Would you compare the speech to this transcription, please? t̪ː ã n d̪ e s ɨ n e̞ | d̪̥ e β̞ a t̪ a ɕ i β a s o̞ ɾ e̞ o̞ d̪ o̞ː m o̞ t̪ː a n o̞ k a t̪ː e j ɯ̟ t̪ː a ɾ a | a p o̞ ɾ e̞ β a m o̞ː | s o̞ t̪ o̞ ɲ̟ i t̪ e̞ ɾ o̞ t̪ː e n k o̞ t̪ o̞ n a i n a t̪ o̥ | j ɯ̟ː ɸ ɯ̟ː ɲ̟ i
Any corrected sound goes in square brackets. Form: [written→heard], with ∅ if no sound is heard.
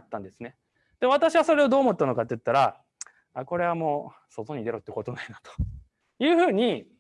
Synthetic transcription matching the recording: t̪ː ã n d̪ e s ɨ n e̞ | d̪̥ e β̞ a t̪ a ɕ i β a s o̞ ɾ e̞ o̞ d̪ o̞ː m o̞ t̪ː a n o̞ k a t̪ː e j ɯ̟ t̪ː a ɾ a | a [p→k] o̞ ɾ e̞ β a m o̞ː | s o̞ t̪ o̞ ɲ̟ i [t̪→d̪] e̞ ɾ o̞ t̪ː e [n→∅] k o̞ t̪ o̞ n a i n a t̪ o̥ | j ɯ̟ː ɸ ɯ̟ː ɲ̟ i